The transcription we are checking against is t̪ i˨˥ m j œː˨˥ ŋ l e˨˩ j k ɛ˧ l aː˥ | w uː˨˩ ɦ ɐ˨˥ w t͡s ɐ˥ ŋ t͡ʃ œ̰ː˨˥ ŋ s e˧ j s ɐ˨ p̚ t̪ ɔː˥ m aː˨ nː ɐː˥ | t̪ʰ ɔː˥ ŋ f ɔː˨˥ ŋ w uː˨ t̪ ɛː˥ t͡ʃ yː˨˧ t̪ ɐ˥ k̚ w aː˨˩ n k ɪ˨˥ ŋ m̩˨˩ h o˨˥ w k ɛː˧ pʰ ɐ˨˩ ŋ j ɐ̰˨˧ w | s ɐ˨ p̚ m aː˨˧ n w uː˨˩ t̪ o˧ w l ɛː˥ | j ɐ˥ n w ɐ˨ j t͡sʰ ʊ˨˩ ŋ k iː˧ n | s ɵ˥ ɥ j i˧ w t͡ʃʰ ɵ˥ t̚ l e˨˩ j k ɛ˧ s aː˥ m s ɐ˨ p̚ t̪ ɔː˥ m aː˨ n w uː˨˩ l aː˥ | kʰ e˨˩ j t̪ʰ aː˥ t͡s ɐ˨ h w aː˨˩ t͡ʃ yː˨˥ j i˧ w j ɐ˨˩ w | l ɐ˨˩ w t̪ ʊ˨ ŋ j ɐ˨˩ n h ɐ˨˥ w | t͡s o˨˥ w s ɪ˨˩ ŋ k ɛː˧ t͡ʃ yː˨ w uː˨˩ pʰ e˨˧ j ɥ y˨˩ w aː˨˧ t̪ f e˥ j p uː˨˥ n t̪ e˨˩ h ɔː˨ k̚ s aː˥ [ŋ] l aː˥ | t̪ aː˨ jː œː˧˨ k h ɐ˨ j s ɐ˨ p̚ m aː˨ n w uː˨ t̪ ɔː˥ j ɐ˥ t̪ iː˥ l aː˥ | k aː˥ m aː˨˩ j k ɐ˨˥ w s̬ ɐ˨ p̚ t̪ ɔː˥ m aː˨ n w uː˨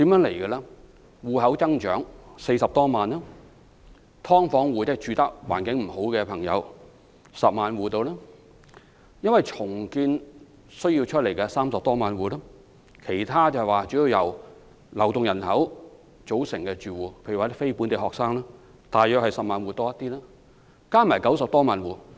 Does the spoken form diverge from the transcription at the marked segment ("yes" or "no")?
no